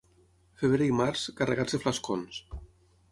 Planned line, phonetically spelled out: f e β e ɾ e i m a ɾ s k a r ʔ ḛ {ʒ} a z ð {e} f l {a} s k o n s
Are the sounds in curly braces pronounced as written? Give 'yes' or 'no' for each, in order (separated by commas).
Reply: no, yes, yes